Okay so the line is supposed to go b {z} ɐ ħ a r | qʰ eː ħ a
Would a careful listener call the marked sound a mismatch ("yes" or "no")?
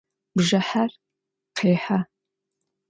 yes